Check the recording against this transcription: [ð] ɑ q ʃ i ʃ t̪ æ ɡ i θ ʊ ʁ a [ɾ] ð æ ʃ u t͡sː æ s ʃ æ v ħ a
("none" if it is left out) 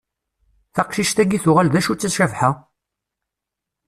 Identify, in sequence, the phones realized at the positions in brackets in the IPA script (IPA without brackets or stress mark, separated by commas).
θ, l